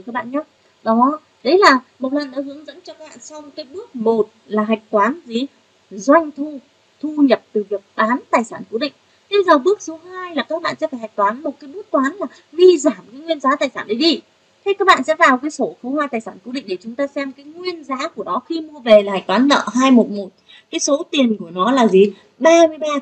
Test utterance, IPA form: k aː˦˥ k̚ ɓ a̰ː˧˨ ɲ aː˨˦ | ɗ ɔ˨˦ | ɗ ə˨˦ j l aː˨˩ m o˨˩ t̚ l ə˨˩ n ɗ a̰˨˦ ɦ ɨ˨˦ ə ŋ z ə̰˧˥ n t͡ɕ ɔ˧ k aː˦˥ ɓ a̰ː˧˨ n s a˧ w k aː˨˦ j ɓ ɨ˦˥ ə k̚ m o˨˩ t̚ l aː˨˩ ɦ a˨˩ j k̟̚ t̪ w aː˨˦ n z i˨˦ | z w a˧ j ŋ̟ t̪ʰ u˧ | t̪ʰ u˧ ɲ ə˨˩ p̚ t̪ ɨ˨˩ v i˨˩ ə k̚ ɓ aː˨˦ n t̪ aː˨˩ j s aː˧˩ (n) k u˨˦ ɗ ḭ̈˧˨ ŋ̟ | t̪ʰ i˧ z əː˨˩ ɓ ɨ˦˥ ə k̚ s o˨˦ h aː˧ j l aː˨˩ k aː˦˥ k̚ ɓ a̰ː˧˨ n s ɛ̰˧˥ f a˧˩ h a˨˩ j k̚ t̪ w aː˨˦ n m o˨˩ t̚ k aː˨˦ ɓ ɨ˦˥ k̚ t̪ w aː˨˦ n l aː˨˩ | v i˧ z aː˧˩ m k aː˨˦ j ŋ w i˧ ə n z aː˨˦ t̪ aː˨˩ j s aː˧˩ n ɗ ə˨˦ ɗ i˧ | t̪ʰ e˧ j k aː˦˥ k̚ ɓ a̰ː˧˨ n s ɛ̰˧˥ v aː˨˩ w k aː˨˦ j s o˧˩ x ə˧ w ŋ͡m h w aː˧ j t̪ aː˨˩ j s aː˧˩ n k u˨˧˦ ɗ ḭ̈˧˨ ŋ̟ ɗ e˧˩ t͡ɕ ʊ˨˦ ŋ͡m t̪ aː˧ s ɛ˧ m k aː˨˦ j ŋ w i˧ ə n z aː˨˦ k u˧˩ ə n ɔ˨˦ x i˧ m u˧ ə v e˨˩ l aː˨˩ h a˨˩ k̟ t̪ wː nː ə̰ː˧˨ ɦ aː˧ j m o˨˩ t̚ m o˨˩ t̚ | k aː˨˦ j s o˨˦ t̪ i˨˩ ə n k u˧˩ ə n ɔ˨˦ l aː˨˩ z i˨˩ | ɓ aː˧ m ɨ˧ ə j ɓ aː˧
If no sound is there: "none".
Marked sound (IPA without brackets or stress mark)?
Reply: n